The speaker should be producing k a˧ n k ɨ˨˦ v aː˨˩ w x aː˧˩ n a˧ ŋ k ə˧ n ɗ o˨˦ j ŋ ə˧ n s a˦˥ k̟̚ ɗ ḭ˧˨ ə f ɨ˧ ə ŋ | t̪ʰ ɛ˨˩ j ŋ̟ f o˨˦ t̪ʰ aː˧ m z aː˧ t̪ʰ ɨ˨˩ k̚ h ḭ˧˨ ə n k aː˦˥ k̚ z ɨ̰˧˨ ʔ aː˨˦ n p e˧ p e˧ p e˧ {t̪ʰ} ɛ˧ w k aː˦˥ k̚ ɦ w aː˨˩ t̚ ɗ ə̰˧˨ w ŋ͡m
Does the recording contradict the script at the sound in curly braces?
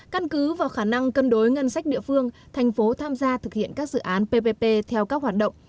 no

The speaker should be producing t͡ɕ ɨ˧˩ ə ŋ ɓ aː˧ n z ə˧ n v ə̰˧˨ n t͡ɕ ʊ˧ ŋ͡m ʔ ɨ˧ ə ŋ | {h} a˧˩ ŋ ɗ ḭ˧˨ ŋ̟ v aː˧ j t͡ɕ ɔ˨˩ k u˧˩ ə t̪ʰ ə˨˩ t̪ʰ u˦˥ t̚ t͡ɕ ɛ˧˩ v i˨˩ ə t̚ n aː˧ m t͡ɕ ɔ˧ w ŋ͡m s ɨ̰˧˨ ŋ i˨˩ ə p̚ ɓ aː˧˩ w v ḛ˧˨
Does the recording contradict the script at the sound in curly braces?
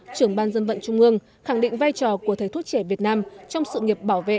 yes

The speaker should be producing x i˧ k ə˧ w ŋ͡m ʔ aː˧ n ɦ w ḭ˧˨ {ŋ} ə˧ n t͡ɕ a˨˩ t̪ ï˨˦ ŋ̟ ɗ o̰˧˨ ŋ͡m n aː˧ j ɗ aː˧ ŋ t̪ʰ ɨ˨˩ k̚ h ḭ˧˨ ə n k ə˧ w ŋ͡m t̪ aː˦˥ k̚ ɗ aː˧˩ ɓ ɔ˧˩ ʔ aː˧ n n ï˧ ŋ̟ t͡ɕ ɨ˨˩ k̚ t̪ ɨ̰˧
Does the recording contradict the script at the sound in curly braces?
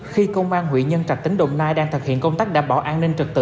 yes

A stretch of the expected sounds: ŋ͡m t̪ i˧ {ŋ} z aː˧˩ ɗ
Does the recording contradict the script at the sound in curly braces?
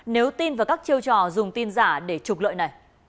yes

